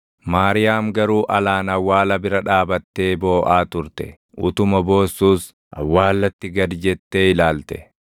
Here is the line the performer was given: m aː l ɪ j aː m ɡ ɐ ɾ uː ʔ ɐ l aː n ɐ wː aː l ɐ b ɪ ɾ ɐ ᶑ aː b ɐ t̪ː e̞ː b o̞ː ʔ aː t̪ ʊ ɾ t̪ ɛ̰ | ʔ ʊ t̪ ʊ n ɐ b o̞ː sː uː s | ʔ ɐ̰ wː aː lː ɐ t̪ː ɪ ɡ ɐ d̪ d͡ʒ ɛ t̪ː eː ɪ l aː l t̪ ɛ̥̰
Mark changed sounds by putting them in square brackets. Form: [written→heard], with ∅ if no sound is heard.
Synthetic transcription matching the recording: m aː [l→ɾ] ɪ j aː m ɡ ɐ ɾ uː ʔ ɐ l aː n ɐ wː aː l ɐ b ɪ ɾ ɐ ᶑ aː b ɐ t̪ː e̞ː b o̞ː ʔ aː t̪ ʊ ɾ t̪ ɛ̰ | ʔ ʊ t̪ ʊ [n→m] ɐ b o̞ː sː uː s | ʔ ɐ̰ wː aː lː ɐ t̪ː ɪ ɡ ɐ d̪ d͡ʒ ɛ t̪ː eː ɪ l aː l t̪ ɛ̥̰